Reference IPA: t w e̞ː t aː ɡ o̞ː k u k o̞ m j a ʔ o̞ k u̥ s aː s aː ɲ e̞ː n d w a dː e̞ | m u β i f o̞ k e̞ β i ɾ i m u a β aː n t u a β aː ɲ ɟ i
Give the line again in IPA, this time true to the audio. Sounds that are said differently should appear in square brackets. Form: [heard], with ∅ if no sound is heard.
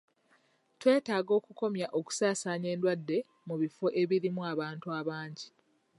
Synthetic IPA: t w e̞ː t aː ɡ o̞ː k u k o̞ m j a ʔ o̞ k u̥ s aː s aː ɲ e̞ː n d w a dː e̞ | m u β i f o̞ [ʔ] e̞ β i ɾ i m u a β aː n t u a β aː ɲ ɟ i